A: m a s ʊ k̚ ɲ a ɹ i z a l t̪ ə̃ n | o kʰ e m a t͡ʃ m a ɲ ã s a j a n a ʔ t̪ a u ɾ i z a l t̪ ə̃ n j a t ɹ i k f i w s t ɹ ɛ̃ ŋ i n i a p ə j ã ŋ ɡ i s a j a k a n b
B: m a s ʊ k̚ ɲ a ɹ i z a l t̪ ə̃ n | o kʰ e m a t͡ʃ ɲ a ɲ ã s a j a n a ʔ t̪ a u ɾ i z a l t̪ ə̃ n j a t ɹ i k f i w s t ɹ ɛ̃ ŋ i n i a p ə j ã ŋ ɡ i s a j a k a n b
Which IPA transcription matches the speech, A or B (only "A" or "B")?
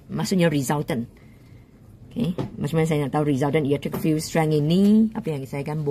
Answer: A